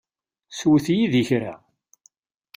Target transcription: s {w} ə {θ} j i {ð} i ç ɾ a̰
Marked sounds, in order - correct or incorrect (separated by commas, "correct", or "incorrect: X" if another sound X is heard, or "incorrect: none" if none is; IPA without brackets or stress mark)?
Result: correct, correct, correct